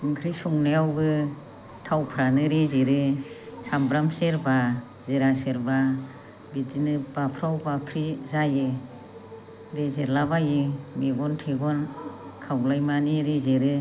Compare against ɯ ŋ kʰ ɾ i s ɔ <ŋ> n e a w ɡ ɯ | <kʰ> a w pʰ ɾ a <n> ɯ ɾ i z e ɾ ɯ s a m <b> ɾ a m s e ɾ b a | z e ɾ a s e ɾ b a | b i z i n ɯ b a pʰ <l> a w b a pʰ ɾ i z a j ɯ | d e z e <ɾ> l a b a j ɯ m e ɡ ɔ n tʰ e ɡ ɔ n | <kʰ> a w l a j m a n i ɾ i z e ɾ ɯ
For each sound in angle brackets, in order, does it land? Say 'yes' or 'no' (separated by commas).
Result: yes, no, yes, yes, no, yes, yes